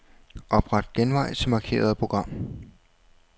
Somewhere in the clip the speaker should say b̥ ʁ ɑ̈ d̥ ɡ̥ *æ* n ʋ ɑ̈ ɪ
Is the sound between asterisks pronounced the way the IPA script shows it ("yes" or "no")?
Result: no